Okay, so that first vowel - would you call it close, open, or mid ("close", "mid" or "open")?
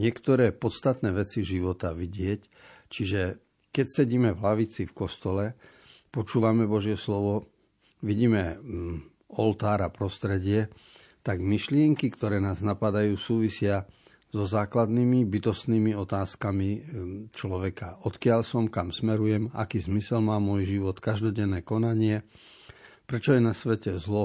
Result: close